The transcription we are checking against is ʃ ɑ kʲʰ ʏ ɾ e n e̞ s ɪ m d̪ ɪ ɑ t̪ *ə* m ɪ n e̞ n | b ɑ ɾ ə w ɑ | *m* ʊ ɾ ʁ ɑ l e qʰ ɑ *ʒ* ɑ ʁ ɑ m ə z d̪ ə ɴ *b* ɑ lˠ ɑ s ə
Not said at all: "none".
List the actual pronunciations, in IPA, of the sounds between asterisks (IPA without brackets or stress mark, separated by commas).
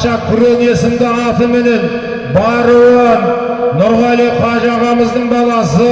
ə, n, ʒ, b